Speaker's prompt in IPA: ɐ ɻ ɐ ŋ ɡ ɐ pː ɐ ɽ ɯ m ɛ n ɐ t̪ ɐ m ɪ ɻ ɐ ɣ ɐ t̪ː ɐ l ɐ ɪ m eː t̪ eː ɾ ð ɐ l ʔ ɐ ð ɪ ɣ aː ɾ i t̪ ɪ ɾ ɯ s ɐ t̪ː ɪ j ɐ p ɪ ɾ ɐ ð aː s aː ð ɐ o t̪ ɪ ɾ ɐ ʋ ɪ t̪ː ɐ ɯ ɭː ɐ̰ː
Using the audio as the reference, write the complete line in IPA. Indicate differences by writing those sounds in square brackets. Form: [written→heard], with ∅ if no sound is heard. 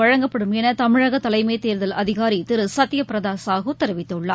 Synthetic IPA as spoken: ɐ ɻ ɐ ŋ ɡ ɐ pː ɐ ɽ ɯ m ɛ n ɐ t̪ ɐ m ɪ ɻ ɐ ɣ ɐ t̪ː ɐ l ɐ ɪ m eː t̪ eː ɾ ð ɐ l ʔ ɐ ð ɪ ɣ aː ɾ i t̪ ɪ ɾ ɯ s ɐ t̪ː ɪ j ɐ p ɪ ɾ ɐ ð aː s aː [ð→ɣ] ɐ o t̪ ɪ ɾ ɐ ʋ ɪ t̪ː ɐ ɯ ɭː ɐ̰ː